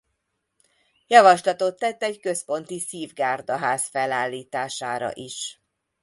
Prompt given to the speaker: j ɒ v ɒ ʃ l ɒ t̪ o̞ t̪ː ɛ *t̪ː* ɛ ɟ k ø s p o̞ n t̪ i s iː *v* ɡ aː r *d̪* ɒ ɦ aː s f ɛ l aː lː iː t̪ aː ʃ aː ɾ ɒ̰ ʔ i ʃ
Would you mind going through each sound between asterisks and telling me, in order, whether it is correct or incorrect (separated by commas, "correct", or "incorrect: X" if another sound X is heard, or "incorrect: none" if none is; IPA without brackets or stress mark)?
correct, correct, correct